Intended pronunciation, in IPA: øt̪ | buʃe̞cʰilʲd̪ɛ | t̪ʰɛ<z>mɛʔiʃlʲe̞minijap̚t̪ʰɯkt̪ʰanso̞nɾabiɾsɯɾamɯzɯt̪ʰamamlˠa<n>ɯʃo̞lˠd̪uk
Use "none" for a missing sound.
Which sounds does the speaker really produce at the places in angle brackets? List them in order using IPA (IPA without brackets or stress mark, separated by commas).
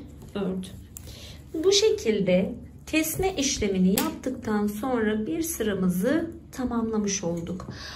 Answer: s, m